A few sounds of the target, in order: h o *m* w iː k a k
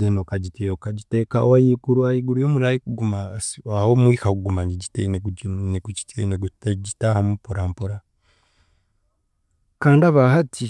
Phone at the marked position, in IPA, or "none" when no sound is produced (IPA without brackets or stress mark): m